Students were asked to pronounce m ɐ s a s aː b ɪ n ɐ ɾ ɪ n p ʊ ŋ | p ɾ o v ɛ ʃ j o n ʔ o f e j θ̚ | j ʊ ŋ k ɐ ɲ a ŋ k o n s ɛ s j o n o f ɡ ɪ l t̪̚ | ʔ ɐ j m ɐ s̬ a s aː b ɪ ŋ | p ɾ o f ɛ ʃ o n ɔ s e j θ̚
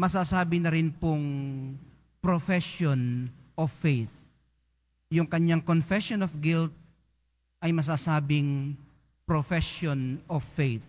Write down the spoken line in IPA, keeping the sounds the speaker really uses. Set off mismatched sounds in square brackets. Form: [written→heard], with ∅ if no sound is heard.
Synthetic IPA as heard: m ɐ s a s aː b ɪ n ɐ ɾ ɪ n p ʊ ŋ | p ɾ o [v→f] ɛ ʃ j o n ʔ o f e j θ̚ | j ʊ ŋ k ɐ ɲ a ŋ k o n [s→f] ɛ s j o n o f ɡ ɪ l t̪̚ | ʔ ɐ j m ɐ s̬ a s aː b ɪ ŋ | p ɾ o f ɛ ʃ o n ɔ [s→f] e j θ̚